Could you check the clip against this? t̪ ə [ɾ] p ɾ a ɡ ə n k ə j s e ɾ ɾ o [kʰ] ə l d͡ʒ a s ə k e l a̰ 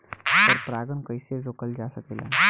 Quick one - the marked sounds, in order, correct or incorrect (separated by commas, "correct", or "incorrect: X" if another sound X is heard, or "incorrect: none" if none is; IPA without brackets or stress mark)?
correct, incorrect: k